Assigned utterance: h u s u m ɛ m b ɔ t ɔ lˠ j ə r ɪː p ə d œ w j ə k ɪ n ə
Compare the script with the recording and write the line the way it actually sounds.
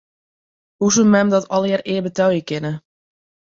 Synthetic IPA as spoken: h u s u m ɛ m d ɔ t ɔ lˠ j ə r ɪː b ə t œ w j ə k ɪ n ə